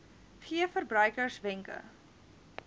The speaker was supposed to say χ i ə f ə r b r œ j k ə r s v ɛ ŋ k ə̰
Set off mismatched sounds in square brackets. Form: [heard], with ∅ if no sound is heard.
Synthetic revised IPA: χ i ə f ə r b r œ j k ə r s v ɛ ŋ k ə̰